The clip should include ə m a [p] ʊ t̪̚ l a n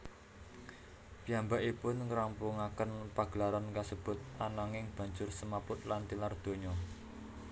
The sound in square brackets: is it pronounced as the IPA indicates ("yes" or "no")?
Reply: yes